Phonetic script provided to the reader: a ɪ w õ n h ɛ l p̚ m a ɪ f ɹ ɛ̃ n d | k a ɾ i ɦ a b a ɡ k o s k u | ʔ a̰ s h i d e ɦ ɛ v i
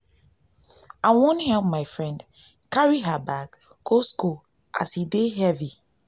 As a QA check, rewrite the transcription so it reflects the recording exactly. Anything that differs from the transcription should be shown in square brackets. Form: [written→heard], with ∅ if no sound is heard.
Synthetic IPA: a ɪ w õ n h ɛ l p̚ m a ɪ f ɹ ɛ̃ n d | k a [ɾ→ɹ] i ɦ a b a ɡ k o s k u | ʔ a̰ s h i d e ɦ ɛ v i

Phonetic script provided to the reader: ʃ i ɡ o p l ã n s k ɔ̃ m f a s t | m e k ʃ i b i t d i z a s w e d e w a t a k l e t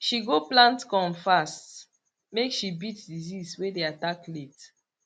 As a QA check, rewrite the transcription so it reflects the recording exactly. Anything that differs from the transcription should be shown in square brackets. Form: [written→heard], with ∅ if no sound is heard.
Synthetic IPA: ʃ i ɡ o p l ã n [s→t] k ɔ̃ m f a s t | m e k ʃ i b i t d i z [a→i] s w e d e [w→∅] a t a k l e t

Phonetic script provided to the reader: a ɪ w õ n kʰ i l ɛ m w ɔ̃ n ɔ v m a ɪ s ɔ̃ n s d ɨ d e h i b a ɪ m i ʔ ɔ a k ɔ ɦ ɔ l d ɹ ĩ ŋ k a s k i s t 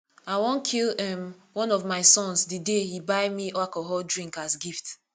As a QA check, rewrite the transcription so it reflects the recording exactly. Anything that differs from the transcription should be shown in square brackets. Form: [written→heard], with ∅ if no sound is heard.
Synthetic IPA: a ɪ w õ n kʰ i l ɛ m w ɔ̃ n ɔ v m a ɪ s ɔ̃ n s d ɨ d e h i b a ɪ m i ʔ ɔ a k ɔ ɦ ɔ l d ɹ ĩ ŋ k a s [k→ɡ] i [s→f] t

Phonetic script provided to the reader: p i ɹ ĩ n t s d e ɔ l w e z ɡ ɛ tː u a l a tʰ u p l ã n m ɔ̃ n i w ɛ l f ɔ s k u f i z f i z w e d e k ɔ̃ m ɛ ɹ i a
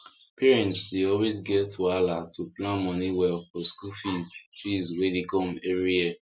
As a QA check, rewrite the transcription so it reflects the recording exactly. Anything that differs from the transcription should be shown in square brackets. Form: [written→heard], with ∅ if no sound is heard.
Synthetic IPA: p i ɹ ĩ n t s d e ɔ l w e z ɡ ɛ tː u a l a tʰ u p l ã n m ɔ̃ n i w ɛ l f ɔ s k u f i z f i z w e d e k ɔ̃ m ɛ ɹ i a

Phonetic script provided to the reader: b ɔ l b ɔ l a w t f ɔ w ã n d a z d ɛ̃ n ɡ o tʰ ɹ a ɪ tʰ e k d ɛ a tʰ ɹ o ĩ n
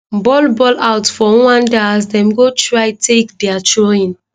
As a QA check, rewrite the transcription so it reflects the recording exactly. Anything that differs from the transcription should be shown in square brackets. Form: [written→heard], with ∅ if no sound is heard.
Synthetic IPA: b ɔ l b ɔ l a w t f ɔ w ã n d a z d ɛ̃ [n→m] ɡ o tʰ ɹ a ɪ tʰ e k d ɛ a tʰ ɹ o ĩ n

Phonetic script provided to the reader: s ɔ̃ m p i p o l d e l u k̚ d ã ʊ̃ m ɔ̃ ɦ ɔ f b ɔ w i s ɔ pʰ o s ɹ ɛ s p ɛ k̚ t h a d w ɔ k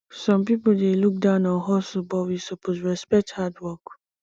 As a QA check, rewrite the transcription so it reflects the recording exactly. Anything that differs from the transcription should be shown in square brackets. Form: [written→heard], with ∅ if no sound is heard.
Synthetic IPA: s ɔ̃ m p i p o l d e l u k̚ d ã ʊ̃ [m→n] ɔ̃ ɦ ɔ [f→s] b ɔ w i s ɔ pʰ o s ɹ ɛ s p ɛ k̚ t h a d w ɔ k

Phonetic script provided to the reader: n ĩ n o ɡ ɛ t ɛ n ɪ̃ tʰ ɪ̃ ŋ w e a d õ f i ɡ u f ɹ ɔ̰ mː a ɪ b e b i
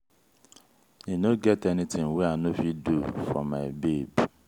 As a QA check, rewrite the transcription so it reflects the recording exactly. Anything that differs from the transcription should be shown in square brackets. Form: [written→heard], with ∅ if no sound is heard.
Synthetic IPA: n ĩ n o ɡ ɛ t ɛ n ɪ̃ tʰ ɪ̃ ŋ w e a [d→n] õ f i [ɡ→d] u f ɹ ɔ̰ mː a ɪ b e b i

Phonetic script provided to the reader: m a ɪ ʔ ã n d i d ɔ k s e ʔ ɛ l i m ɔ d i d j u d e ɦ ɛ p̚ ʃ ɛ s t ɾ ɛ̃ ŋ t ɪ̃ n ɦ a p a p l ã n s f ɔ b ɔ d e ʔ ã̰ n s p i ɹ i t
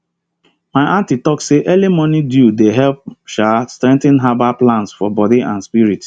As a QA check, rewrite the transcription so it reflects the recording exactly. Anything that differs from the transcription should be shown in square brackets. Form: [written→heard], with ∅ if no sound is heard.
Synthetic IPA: m a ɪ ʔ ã n [d→t] i [d→t] ɔ k s e ʔ ɛ l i m ɔ [d→n] i d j u d e ɦ ɛ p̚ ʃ [ɛ→a] s t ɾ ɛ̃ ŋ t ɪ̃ n ɦ a [p→b] a p l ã n s f ɔ b ɔ d [e→i] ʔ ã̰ n s p i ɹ i t

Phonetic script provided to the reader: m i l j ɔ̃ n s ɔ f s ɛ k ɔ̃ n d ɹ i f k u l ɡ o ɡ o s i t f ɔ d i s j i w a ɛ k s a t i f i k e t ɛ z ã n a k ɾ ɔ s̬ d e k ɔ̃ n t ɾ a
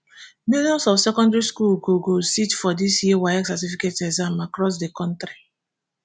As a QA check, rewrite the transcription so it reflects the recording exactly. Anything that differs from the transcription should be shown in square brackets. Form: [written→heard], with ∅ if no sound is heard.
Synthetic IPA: m i l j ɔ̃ n s ɔ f s ɛ k ɔ̃ n d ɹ i [f→s] k u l ɡ o ɡ o s i t f ɔ d i s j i w a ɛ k s a t i f i k e t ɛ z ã [n→m] a k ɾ ɔ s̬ d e k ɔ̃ n t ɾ [a→i]

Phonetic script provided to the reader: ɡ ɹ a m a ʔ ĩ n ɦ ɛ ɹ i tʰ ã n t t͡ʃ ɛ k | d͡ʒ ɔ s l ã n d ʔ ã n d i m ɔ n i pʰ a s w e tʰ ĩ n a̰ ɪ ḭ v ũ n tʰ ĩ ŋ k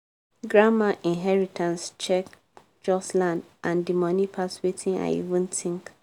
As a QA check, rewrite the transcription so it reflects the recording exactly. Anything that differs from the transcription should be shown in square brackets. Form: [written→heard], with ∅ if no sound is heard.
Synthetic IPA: ɡ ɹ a m a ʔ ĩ n ɦ ɛ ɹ i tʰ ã n [t→s] t͡ʃ ɛ k | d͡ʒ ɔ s l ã n d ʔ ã n d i m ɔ n i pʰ a s w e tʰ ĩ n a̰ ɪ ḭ v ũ n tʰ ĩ ŋ k

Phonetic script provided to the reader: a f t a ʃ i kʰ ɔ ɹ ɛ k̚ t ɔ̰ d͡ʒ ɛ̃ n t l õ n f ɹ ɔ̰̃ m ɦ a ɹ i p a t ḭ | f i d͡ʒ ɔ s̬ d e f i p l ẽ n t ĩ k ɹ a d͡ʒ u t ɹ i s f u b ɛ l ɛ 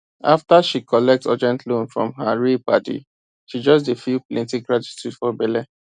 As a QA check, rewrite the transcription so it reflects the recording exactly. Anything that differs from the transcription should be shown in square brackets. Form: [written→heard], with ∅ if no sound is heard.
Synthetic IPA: a f t a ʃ i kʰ ɔ [ɹ→l] ɛ k̚ t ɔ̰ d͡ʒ ɛ̃ n t l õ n f ɹ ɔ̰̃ m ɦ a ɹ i p a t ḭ | [f→ʃ] i d͡ʒ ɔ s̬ d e f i p l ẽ n t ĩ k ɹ a d͡ʒ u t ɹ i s f [u→ɔ] b ɛ l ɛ

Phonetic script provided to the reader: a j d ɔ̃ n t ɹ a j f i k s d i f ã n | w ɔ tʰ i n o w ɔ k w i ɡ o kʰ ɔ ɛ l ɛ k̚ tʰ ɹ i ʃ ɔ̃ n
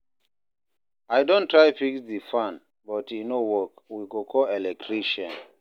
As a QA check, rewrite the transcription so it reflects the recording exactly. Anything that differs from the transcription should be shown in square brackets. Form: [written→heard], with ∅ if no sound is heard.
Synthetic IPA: a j d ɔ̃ n t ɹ a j f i k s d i f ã n | [w→b] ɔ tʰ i n o w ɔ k w i ɡ o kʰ ɔ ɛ l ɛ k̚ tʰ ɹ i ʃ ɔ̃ n

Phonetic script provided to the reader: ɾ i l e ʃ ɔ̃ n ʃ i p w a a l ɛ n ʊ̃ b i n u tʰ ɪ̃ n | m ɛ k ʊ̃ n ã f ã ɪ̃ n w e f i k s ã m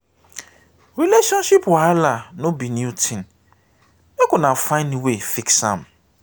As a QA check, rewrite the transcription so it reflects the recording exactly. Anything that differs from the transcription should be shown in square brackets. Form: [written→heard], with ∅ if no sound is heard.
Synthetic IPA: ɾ i l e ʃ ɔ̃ n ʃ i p w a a l [ɛ→a] n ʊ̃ b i n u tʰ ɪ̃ n | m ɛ k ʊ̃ n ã f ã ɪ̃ n w e f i k s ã m

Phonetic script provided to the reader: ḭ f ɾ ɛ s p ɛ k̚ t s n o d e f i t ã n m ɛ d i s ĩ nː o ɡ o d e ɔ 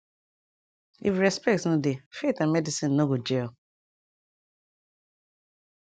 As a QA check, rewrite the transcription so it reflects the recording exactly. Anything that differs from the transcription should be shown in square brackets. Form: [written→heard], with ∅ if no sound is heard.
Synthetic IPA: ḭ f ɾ ɛ s p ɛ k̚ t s n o d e f [i→e] t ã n m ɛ d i s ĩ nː o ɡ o [d→d͡ʒ] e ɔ

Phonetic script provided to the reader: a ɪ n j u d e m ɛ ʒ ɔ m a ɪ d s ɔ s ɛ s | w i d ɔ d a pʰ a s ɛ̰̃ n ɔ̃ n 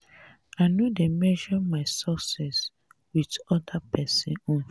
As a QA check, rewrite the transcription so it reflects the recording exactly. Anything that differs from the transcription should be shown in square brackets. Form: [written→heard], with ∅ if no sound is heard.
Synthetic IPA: a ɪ n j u d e m ɛ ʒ ɔ m a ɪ [d→∅] s ɔ s ɛ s | w i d ɔ d a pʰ [a→ɛ] s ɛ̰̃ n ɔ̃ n

